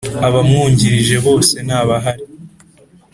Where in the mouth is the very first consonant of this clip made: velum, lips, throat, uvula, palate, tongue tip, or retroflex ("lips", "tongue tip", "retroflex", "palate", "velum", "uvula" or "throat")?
lips